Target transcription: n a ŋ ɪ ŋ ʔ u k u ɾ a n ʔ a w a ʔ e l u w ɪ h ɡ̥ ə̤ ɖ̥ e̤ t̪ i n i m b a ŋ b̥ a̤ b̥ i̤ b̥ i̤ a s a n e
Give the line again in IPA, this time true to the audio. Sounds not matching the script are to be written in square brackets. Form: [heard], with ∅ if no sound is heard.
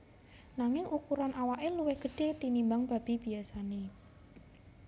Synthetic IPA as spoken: n a ŋ ɪ ŋ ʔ u k u ɾ a n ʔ a w a ʔ e l u w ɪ h ɡ̥ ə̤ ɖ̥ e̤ t̪ i n i m b a ŋ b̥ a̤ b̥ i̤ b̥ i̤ a s a n e